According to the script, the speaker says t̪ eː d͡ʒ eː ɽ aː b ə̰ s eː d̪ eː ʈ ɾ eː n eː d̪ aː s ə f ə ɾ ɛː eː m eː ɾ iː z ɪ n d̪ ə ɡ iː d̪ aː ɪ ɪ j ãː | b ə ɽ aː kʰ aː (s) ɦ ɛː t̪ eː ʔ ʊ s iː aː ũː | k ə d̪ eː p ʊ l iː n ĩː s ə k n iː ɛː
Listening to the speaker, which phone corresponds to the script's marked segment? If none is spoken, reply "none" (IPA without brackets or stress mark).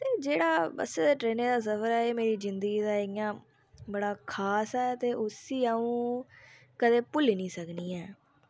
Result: s